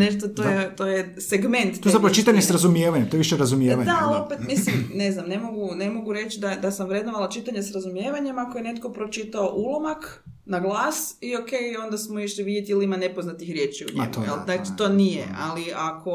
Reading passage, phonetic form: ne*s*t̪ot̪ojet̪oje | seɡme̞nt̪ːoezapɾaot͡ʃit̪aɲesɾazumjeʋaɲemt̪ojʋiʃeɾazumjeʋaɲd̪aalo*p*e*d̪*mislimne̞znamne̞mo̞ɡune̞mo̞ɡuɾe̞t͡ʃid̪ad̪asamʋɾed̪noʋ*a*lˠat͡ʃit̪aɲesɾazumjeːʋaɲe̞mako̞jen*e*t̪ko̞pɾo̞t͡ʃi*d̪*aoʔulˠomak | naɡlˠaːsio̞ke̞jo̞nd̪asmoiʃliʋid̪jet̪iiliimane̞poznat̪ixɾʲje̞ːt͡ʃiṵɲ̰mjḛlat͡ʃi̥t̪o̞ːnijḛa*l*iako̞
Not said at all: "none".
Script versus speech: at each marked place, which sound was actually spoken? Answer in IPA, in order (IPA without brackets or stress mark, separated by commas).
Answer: ʃ, p, t̪, a, e, t̪, l